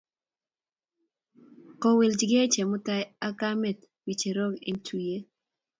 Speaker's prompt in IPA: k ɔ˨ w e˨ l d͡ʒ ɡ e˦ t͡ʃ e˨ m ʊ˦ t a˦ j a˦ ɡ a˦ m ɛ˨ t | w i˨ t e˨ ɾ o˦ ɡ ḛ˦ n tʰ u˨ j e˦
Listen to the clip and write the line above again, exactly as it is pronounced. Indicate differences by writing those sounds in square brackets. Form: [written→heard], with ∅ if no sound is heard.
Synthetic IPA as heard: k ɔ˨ w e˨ l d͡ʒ ɡ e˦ t͡ʃ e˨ m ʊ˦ t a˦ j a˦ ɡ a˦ m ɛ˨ t | w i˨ [t→t͡ʃ] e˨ ɾ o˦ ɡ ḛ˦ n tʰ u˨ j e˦